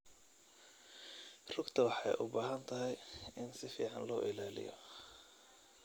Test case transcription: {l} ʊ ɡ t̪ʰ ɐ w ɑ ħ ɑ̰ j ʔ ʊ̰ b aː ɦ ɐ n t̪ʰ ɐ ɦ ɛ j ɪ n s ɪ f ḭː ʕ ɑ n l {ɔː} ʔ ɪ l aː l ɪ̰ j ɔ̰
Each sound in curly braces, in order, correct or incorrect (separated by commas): incorrect, correct